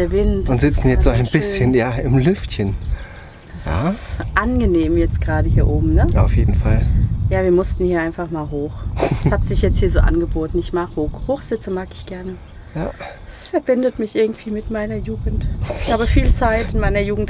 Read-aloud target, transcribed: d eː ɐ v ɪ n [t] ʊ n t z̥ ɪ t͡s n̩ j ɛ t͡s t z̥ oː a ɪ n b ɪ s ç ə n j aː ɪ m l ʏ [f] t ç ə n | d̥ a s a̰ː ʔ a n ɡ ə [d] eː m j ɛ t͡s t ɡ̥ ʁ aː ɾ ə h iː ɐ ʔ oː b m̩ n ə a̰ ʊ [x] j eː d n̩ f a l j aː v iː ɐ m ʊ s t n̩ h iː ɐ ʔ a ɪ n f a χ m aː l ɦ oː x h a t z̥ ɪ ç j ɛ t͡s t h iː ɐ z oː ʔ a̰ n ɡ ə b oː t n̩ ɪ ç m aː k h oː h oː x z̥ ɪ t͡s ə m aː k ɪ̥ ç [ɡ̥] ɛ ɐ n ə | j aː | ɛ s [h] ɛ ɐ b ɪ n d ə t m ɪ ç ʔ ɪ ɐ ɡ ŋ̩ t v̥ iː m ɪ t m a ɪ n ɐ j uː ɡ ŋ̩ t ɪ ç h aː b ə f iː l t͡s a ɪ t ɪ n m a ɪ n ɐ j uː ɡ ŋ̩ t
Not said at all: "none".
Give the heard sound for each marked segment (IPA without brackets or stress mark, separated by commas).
t, f, n, f, ɡ̥, f